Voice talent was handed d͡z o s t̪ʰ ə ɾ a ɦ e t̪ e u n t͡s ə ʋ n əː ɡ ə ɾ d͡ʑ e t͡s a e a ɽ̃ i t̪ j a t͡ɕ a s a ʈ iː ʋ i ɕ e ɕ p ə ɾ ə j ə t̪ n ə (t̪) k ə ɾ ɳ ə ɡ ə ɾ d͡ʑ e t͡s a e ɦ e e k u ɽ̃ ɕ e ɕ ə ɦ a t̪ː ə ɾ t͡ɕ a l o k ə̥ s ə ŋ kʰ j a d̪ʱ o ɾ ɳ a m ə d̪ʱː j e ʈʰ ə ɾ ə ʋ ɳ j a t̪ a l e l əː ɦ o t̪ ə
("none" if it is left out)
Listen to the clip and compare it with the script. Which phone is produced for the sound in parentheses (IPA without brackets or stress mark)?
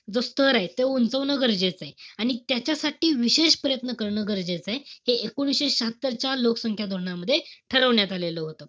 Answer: none